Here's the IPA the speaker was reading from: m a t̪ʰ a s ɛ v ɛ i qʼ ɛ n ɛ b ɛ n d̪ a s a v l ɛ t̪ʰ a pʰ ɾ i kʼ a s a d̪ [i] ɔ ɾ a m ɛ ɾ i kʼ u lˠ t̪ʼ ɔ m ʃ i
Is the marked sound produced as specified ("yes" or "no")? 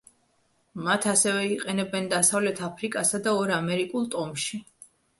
no